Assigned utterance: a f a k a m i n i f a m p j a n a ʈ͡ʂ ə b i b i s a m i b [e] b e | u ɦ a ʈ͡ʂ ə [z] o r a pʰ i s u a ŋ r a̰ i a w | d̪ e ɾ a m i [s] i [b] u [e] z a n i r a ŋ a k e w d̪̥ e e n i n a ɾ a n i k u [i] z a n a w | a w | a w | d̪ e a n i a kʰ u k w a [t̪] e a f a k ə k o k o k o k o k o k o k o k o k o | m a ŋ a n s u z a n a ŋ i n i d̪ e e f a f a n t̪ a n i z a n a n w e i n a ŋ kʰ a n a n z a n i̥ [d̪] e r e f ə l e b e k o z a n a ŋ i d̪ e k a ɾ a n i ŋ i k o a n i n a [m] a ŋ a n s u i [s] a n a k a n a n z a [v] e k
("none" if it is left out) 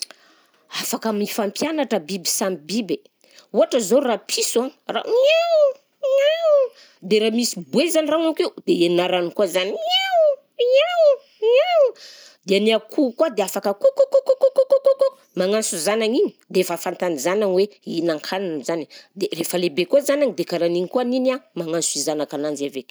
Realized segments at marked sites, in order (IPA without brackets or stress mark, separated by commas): i, z, s, b, e, a, d̪, d̪, m, z, v